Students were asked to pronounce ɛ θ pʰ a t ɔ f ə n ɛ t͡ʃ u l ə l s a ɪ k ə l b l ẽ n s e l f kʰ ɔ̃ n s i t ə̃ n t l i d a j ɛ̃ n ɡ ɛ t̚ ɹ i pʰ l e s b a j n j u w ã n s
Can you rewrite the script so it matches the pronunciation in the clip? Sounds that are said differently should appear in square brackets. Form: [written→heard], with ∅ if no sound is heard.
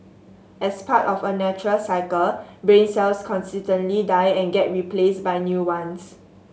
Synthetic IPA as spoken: ɛ [θ→s] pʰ a t ɔ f ə n ɛ t͡ʃ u [l→ɹ] ə l s a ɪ k ə l b [l→ɹ] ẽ n s [e→ɛ] l [f→s] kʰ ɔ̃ n s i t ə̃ n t l i d a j ɛ̃ n ɡ ɛ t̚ ɹ i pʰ l e s b a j n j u w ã n s